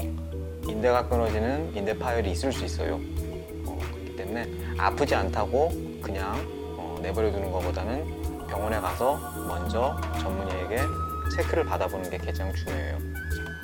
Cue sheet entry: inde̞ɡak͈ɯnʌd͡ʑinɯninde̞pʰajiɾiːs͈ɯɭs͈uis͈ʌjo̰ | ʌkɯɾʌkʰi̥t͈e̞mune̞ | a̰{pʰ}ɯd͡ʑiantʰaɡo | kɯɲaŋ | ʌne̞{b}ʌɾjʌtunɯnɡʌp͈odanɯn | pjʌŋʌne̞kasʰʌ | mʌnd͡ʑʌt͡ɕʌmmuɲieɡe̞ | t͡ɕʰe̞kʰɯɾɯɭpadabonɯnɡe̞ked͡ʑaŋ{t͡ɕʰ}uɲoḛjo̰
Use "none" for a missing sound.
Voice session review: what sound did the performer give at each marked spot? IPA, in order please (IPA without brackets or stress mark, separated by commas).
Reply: pʰ, b, t͡ɕ